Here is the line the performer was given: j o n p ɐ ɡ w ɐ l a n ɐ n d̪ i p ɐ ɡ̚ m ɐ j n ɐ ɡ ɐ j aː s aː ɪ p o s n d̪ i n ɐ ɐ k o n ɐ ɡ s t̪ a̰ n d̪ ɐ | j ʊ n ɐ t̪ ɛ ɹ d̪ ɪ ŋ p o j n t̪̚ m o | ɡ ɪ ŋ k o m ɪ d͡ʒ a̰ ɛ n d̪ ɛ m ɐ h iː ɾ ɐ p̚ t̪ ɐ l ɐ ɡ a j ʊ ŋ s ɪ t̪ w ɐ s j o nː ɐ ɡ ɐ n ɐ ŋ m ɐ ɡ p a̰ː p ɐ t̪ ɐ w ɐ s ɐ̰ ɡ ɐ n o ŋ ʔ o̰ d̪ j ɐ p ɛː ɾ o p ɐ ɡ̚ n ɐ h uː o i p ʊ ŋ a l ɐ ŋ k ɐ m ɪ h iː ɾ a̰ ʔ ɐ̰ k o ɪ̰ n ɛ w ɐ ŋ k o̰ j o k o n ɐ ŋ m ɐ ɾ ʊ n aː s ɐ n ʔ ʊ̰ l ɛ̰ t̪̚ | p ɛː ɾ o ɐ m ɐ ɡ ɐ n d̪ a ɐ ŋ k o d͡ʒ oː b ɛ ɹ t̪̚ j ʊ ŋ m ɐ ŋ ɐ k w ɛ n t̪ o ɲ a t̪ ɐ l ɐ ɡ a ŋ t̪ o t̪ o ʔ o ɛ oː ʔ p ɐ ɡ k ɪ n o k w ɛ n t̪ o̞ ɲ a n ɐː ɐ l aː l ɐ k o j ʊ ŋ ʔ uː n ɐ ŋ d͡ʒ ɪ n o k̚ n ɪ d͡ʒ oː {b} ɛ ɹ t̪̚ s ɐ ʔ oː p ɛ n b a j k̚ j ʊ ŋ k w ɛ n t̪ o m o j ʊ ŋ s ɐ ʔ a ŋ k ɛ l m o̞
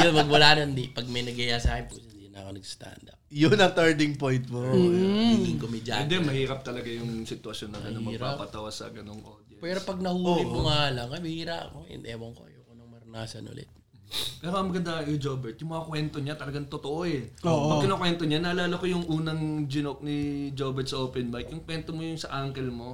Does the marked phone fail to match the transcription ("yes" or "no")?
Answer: no